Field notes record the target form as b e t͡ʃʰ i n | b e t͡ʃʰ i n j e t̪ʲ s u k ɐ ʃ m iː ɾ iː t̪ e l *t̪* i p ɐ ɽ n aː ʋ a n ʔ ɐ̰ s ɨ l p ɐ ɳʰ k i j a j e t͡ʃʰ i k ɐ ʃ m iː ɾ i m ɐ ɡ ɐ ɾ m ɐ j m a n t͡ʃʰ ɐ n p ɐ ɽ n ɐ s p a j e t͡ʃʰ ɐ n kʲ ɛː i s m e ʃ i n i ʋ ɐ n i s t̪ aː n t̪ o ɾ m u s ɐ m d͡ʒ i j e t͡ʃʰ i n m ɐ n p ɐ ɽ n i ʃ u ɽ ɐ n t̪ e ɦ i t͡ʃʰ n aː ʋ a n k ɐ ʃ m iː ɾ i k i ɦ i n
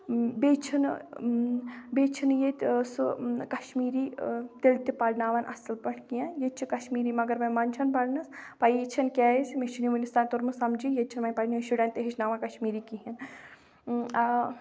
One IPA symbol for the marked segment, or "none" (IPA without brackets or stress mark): t̪